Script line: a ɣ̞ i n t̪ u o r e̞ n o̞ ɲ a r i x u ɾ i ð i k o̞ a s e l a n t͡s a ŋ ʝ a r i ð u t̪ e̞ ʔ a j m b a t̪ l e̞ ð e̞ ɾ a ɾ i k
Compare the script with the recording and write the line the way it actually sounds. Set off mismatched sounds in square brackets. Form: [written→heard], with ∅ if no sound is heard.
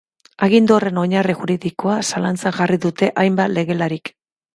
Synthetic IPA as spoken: a ɣ̞ i n [t̪→d̪] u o r e̞ n o̞ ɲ a r i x u ɾ i ð i k o̞ a s [e→a] l a n t͡s a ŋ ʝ a r i ð u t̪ e̞ ʔ a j m b a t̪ l e̞ [ð→ɣ] e̞ [ɾ→l] a ɾ i k